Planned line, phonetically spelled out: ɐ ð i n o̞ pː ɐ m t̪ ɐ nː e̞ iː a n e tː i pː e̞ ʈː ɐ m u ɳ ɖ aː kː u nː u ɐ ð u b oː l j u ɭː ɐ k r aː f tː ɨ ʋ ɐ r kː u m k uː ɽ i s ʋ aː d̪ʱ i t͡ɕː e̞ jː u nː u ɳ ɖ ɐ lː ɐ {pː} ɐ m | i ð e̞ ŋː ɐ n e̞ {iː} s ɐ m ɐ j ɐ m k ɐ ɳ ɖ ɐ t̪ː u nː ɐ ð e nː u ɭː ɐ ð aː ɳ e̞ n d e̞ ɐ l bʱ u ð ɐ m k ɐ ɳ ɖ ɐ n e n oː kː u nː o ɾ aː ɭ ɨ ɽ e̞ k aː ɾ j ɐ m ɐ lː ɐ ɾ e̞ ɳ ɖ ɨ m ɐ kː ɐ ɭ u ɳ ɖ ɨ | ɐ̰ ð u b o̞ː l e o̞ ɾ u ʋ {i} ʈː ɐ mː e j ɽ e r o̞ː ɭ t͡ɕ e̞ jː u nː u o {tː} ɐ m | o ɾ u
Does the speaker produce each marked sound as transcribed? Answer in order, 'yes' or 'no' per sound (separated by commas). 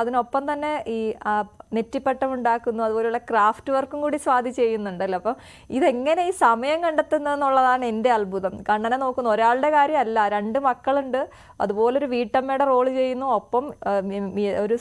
yes, yes, no, no